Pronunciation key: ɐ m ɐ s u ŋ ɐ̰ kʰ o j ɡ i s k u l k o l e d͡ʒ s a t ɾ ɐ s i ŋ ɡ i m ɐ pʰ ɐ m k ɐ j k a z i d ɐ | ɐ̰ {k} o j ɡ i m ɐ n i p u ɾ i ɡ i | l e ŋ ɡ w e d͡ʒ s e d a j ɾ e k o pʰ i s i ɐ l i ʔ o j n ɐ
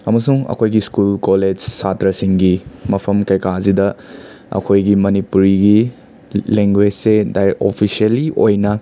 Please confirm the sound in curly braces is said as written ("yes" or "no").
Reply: no